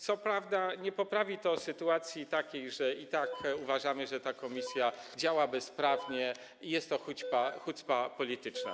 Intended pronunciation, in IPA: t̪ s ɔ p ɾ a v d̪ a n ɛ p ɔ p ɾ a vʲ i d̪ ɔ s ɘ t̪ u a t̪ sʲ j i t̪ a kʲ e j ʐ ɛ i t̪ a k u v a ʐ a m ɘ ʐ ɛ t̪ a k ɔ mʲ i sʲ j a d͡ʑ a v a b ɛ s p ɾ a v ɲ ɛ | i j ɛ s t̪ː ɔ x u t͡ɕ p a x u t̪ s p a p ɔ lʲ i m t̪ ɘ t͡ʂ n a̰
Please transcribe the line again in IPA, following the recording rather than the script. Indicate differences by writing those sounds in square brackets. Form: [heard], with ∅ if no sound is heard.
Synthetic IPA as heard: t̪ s ɔ p ɾ a v d̪ a [ɲ] ɛ p ɔ p ɾ a vʲ i [t̪] ɔ s ɘ t̪ u a t̪ sʲ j i t̪ a kʲ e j ʐ ɛ i t̪ a k u v a ʐ a m ɘ ʐ ɛ t̪ a k ɔ mʲ i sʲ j a d͡ʑ a [w] a b ɛ s p ɾ a v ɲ ɛ | i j ɛ s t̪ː ɔ x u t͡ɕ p a x u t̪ s p a p ɔ lʲ i [∅] t̪ ɘ t͡ʂ n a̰